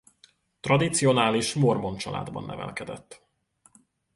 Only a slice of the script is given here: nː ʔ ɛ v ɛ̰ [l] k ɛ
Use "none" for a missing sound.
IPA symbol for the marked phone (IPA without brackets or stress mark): l